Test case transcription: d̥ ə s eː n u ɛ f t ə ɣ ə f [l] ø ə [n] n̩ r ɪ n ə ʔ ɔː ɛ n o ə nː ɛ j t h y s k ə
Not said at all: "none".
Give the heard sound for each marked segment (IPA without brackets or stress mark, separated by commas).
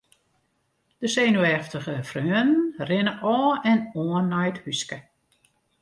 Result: r, n